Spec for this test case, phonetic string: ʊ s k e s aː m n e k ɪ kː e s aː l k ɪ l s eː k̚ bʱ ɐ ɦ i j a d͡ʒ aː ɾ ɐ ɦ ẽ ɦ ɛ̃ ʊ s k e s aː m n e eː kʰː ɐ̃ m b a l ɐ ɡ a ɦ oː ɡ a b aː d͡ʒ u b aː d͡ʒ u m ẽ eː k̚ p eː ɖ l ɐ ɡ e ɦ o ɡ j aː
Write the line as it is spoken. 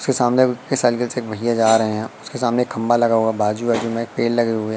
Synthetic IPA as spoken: ʊ s k e s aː m n e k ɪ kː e s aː l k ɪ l s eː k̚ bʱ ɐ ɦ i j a d͡ʒ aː ɾ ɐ ɦ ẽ ɦ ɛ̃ ʊ s k e s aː m n e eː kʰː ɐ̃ m b a l ɐ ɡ a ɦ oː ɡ a b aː d͡ʒ u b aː d͡ʒ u m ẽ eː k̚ p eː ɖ l ɐ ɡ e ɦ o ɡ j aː

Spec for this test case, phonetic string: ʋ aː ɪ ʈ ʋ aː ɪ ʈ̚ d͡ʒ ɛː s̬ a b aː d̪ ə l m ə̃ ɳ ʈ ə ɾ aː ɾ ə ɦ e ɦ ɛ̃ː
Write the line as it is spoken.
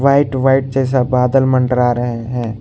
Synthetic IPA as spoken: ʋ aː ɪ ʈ ʋ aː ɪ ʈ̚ d͡ʒ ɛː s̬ a b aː d̪ ə l m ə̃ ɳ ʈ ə ɾ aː ɾ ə ɦ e ɦ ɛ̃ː

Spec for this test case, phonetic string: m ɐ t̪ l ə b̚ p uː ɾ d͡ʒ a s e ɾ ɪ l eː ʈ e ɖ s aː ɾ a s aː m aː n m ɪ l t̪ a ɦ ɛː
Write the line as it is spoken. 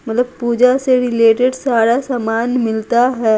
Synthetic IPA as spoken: m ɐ t̪ l ə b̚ p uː d͡ʒ a s e ɾ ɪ l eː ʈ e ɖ s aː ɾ a s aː m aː n m ɪ l t̪ a ɦ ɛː

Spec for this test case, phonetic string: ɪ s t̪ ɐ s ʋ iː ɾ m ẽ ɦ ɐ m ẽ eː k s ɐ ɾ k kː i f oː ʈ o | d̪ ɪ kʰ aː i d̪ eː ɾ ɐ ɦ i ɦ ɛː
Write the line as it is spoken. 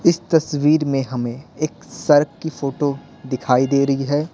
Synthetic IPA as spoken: ɪ s t̪ ɐ s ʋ iː ɾ m ẽ ɦ ɐ m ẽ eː k s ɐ ɾ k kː i f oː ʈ o | d̪ ɪ kʰ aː i d̪ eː ɾ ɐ ɦ i ɦ ɛː

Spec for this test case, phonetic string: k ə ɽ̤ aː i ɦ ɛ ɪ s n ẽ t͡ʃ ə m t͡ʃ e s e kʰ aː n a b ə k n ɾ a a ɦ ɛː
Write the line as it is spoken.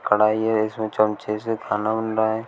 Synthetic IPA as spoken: k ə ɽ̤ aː i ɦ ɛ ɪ s m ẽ t͡ʃ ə m t͡ʃ e s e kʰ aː n a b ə n ɾ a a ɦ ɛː

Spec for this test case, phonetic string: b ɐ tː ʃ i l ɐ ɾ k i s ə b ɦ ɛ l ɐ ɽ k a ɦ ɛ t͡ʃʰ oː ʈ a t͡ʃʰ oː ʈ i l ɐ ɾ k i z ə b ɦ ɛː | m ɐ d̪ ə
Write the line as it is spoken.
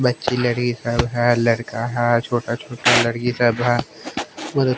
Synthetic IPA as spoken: b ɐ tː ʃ i l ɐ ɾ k i s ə b ɦ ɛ l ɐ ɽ k a ɦ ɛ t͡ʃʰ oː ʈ a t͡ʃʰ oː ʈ a l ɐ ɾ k i s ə b ɦ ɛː | m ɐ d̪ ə

